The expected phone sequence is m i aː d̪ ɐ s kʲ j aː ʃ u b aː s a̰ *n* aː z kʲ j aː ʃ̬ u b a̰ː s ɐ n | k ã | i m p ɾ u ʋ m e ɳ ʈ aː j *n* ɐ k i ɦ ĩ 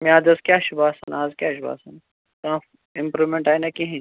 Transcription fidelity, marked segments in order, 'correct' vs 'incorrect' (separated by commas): correct, correct